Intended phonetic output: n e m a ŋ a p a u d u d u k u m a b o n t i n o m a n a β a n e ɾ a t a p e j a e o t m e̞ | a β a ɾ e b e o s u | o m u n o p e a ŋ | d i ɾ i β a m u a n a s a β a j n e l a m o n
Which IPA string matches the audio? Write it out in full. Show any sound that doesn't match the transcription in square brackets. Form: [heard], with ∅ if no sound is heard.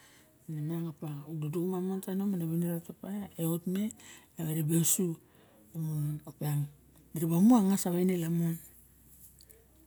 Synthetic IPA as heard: n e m a ŋ a p a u d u d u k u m a [m] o n t [a] n o m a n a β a n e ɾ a t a p [a] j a e o t m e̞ | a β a ɾ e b e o s u | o m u n o p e a ŋ | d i ɾ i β a m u a [ŋ] a s a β a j n e l a m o n

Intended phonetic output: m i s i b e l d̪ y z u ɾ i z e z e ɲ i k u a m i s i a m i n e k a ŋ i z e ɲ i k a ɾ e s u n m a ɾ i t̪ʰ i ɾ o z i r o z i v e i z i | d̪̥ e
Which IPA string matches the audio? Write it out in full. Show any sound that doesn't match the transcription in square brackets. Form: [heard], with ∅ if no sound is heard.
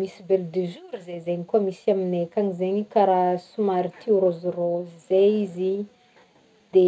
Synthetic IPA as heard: m i s i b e l d̪ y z u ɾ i z e z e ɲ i k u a m i s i a m i n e k a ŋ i z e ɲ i k a ɾ [a] s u [∅] m a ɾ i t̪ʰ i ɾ o z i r o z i [z] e i z i | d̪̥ e

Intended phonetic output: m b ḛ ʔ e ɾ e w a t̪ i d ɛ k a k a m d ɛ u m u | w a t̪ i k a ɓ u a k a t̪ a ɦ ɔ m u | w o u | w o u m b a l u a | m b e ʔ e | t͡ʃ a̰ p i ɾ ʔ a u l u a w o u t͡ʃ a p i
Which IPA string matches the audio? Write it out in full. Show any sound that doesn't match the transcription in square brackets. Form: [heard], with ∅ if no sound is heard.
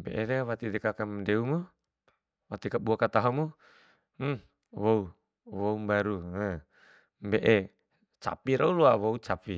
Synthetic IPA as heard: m b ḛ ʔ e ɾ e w a t̪ i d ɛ k a k a m d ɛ u m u | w a t̪ i k a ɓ u a k a t̪ a ɦ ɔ m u | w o u | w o u m b a [ɾ] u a | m b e ʔ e | t͡ʃ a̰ p i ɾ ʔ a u l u a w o u t͡ʃ a p i

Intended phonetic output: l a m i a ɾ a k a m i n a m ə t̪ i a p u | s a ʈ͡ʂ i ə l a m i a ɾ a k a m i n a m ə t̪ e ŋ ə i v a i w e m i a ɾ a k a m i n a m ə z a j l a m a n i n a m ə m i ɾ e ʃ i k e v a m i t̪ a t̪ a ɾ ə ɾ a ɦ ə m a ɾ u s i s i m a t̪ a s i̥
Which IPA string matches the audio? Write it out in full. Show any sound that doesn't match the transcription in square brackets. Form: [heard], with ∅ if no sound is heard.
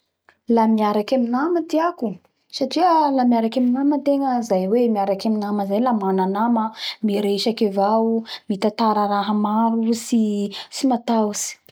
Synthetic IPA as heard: l a m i a ɾ a k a m i n a m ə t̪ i a [k] u | s a ʈ͡ʂ i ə l a m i a ɾ a k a m i n a m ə t̪ e ŋ ə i [z] a [j] w e m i a ɾ a k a m i n a m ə z a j l a m a n [a] n a m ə m i ɾ e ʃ [a] k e v a m i t̪ a t̪ a ɾ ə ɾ a ɦ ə m a ɾ u s i s i m a t̪ a s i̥

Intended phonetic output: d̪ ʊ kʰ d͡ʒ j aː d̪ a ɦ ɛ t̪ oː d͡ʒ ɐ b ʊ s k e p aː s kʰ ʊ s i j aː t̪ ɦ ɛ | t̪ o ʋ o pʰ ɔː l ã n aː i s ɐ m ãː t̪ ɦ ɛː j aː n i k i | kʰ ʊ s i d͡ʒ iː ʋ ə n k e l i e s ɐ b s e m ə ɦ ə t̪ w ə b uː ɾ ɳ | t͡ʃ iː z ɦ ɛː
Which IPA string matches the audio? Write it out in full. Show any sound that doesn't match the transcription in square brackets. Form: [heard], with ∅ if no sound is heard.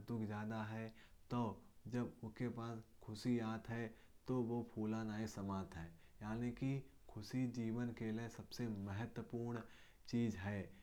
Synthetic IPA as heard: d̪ ʊ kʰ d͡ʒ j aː d̪ a ɦ ɛ t̪ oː d͡ʒ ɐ b ʊ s k e p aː s kʰ ʊ s i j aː t̪ ɦ ɛ | t̪ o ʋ o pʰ [uː] l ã n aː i s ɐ m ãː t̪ ɦ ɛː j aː n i k i | kʰ ʊ s i d͡ʒ iː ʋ ə n k e l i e s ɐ b s e m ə ɦ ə t̪ w ə [p] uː ɾ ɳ | t͡ʃ iː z ɦ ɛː

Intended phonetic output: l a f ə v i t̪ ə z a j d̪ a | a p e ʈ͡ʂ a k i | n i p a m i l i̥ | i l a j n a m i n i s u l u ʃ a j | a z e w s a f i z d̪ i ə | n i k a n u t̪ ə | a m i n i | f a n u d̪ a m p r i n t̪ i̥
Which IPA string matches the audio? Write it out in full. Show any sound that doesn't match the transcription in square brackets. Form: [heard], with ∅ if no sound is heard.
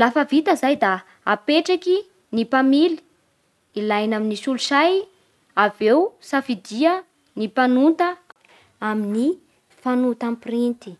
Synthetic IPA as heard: l a f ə v i t̪ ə z a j d̪ a | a p e ʈ͡ʂ a k i | n i p a m i l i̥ | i l a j n a m i n i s u l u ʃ a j | a [v] e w s a f i [∅] d̪ i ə | n i [p] a n u t̪ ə | a m i n i | f a n u [t̪] a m p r i n t̪ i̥

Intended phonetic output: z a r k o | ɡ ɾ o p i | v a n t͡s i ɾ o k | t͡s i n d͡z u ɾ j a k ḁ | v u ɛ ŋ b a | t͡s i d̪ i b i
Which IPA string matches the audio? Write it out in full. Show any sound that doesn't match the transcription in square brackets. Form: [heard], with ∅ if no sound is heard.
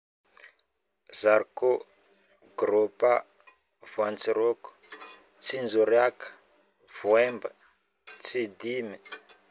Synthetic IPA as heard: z a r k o | ɡ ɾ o p [a] | v a n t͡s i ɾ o k | t͡s i n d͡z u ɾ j a k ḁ | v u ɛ [m] b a | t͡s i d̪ i [m] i

